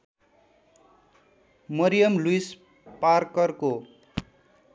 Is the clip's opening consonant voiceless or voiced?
voiced